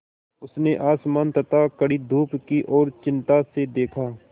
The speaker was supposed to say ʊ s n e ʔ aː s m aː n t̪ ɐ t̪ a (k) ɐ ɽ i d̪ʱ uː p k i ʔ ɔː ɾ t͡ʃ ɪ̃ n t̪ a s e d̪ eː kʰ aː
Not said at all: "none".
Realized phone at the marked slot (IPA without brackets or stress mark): k